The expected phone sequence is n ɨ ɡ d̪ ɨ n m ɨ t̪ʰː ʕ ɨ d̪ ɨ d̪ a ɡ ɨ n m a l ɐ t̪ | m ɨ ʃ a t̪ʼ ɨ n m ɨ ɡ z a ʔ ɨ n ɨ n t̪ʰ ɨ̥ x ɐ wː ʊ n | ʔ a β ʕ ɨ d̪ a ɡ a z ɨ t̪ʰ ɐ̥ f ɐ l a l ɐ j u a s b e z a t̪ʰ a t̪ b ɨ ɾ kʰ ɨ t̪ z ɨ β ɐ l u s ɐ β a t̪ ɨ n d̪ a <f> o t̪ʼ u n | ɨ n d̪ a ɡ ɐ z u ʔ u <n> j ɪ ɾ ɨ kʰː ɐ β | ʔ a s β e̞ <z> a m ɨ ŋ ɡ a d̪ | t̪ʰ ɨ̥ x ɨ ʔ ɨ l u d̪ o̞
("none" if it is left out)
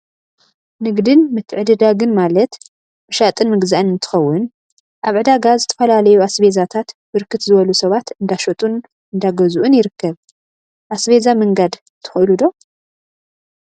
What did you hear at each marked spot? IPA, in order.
ʃ, n, z

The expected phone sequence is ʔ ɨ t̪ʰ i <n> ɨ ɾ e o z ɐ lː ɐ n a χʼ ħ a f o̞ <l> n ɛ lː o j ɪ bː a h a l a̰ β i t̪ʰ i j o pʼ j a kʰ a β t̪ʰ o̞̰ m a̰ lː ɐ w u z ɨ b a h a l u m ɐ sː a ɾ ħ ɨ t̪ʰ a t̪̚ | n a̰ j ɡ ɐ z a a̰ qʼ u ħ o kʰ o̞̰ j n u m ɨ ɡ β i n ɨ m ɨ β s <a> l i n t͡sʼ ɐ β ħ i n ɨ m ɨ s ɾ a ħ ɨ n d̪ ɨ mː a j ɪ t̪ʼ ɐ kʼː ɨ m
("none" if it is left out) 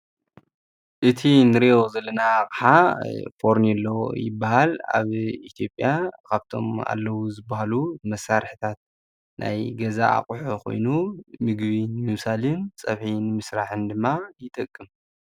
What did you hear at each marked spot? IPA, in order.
n, ɾ, a

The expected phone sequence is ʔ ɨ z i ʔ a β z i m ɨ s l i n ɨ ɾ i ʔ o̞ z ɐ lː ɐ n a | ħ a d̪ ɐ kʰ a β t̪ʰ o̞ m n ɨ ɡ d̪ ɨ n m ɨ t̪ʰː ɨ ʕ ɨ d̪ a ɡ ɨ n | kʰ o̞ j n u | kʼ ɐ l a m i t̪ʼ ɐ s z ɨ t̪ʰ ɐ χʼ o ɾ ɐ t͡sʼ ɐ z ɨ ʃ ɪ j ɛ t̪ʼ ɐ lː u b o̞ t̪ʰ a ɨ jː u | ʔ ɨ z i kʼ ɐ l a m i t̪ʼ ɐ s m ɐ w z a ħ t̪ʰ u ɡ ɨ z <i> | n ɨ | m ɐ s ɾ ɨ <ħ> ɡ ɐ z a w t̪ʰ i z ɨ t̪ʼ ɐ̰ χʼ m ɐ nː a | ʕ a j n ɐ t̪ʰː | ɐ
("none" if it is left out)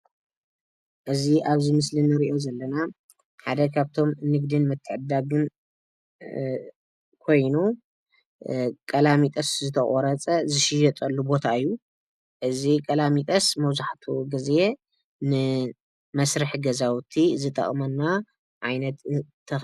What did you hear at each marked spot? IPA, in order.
e, ħ

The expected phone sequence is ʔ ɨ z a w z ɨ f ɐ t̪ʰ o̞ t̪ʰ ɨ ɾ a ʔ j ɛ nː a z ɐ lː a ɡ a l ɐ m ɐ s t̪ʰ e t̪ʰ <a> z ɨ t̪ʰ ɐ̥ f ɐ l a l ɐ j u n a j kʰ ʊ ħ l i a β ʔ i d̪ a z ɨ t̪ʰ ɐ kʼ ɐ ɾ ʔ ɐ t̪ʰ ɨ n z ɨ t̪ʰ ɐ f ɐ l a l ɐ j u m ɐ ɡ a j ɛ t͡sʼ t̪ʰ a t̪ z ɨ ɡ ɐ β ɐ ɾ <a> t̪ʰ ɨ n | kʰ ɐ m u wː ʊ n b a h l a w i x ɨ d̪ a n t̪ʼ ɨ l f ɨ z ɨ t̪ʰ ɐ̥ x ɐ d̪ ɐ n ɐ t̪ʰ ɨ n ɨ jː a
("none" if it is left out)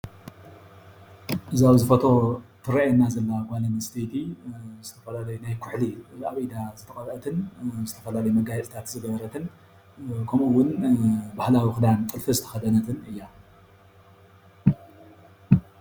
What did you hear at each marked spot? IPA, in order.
i, ɐ

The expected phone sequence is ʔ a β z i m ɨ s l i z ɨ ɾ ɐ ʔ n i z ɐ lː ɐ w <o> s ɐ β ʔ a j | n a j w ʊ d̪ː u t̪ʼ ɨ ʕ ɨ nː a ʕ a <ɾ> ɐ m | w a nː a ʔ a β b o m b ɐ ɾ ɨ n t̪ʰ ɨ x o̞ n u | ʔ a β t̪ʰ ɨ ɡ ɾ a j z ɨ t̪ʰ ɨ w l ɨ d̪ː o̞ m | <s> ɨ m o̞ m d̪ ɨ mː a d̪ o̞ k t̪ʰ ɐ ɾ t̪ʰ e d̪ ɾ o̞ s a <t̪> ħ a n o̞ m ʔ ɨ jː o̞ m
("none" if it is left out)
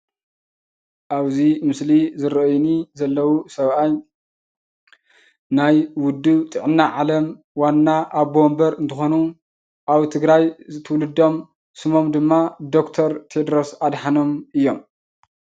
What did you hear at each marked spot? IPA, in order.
u, l, s, d̪

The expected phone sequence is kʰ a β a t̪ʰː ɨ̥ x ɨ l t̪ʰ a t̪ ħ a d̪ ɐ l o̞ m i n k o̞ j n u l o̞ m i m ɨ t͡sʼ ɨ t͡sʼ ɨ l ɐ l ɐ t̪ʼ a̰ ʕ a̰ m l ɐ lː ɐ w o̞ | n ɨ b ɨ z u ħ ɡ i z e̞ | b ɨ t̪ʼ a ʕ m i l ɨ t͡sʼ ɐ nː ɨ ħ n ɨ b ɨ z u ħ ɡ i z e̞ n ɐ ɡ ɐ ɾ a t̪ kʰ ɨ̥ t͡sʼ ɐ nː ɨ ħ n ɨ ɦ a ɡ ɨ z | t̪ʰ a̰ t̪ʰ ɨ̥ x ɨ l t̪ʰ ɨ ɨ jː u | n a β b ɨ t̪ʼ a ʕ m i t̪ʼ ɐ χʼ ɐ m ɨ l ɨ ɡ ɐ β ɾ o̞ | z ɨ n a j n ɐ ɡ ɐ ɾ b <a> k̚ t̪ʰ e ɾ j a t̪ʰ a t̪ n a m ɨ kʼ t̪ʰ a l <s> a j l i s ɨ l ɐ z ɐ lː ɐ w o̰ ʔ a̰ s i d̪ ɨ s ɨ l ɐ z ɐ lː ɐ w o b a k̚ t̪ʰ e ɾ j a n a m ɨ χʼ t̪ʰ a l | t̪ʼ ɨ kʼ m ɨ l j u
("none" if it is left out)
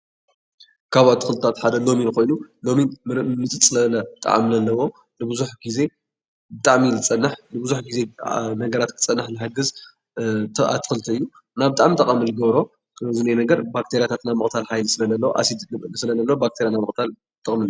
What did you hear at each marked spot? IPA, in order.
a, ħ

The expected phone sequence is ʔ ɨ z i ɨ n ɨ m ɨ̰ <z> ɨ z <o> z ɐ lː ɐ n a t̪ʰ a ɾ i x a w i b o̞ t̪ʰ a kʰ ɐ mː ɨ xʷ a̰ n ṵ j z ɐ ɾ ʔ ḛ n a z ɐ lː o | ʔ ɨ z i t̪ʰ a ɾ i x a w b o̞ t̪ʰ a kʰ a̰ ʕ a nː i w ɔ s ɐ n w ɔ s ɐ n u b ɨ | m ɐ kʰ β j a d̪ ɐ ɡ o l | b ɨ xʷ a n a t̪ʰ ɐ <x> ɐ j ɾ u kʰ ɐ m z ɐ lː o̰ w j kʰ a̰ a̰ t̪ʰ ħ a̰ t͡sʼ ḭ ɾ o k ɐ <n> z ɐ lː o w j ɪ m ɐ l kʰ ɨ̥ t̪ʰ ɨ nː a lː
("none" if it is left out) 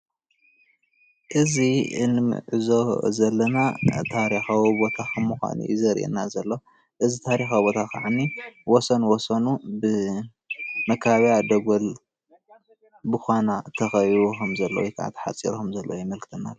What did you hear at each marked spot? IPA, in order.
ʕ, o, x, m

